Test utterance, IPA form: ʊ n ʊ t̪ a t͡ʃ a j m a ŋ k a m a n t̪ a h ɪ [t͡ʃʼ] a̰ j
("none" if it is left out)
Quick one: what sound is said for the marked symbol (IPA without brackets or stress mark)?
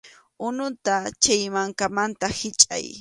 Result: t͡ʃʼ